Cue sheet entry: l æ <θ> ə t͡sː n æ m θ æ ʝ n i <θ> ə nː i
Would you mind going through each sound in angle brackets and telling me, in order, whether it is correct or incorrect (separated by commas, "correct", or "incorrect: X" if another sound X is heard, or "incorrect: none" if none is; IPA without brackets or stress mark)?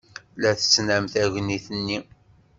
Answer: correct, correct